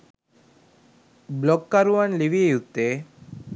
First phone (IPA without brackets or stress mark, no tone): b